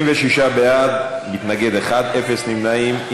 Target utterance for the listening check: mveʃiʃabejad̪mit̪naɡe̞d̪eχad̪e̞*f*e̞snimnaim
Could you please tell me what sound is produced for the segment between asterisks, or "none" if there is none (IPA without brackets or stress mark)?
f